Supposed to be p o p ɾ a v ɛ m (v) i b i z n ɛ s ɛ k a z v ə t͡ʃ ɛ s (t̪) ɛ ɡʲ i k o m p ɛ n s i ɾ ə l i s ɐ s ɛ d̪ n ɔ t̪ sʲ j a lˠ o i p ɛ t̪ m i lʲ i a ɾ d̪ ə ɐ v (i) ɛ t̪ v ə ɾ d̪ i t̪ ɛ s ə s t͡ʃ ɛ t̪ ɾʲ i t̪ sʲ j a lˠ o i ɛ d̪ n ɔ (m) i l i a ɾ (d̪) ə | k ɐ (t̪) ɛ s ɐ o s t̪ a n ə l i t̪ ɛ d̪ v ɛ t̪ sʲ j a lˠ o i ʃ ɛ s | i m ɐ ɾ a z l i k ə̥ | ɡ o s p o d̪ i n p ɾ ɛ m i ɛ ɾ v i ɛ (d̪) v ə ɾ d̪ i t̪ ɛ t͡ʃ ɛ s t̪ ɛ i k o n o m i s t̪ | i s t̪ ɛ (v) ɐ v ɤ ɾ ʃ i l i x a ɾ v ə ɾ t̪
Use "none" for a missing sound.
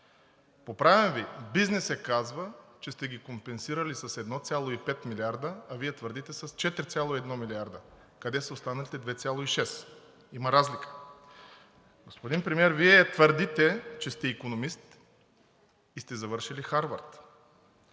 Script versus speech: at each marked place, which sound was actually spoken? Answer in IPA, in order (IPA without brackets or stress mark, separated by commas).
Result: v, t̪, i, m, d̪, d̪, t̪, z